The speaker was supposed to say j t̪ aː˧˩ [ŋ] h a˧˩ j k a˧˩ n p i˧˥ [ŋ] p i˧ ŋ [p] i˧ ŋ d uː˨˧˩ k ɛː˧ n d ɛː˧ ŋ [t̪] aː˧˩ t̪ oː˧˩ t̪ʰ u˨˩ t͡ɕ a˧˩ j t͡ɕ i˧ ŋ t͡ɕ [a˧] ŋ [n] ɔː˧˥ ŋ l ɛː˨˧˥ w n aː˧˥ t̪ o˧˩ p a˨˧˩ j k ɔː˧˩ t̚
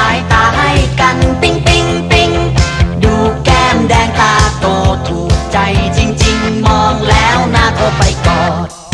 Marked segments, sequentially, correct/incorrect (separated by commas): incorrect, correct, correct, correct, incorrect, incorrect